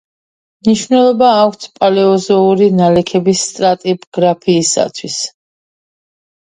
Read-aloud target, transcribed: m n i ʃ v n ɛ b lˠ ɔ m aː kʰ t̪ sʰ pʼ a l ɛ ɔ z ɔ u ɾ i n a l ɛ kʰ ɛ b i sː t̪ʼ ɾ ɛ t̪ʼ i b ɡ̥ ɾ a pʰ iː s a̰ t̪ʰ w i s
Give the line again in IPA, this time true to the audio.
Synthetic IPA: m n i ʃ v n ɛ lˠ ɔ b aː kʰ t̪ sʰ pʼ a l ɛ ɔ z ɔ u ɾ i n a l ɛ kʰ ɛ b i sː t̪ʼ ɾ a t̪ʼ i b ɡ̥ ɾ a pʰ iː s a̰ t̪ʰ w i s